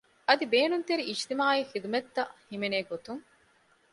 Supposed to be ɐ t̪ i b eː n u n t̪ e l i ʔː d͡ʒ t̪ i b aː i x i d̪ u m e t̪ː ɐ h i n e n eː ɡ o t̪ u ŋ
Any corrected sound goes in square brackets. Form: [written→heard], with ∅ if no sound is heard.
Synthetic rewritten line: ɐ [t̪→d̪] i b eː n u n t̪ e [l→ɾ] i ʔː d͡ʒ t̪ i [b→m] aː i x i d̪ u m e t̪ː ɐ h i [n→m] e n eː ɡ o t̪ u ŋ